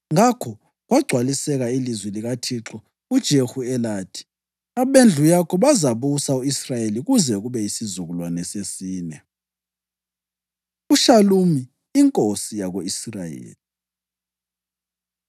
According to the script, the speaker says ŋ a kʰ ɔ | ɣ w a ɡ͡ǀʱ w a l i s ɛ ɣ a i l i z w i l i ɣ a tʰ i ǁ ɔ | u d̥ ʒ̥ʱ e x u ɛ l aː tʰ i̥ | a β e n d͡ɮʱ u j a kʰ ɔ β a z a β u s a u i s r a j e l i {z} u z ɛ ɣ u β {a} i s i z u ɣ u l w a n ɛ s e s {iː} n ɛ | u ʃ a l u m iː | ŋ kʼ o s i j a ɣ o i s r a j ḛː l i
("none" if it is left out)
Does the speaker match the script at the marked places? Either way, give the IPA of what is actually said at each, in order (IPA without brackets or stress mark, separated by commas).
ɣ, ɛ, iː